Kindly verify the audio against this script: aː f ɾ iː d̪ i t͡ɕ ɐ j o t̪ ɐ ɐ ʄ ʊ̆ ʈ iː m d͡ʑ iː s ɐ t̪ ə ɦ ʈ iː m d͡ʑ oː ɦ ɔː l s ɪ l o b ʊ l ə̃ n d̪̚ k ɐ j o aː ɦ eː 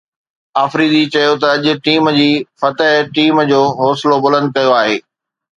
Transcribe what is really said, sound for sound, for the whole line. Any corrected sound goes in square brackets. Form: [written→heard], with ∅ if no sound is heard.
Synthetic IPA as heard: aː f ɾ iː d̪ i t͡ɕ ɐ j o t̪ ɐ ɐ ʄ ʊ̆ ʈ iː m d͡ʑ iː [s→f] ɐ t̪ ə ɦ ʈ iː m d͡ʑ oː ɦ ɔː [l→∅] s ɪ l o b ʊ l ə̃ n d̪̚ k ɐ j o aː ɦ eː